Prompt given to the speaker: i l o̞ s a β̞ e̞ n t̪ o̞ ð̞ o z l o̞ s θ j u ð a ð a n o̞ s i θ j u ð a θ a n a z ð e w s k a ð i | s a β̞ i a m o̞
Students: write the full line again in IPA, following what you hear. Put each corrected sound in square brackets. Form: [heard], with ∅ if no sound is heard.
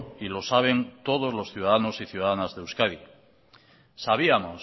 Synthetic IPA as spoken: i l o̞ s a β̞ e̞ n t̪ o̞ ð̞ o z l o̞ s θ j u ð a ð a n o̞ s i θ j u ð a [ð] a n a z ð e w s k a ð i | s a β̞ i a m o̞